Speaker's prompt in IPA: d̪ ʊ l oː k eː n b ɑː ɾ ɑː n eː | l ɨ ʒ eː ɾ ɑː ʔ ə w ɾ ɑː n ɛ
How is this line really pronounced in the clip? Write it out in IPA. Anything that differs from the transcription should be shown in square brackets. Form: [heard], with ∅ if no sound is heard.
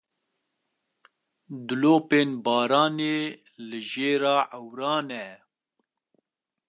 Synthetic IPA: d̪ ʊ l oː [p] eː n b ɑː ɾ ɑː n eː | l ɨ ʒ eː ɾ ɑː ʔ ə w ɾ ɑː n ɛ